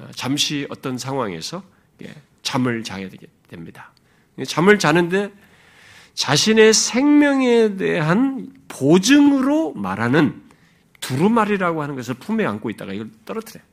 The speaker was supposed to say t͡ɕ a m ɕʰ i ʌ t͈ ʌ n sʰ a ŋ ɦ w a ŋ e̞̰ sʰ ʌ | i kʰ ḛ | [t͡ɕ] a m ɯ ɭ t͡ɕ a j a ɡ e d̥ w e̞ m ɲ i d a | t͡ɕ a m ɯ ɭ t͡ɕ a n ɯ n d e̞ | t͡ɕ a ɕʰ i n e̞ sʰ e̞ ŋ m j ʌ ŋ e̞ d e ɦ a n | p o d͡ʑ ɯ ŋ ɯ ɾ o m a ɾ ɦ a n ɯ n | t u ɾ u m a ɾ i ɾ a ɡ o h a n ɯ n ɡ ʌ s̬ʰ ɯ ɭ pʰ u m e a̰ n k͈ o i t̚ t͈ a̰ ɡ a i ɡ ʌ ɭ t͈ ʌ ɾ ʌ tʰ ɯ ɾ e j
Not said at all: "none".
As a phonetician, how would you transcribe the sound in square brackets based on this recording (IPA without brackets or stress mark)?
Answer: t͡ɕ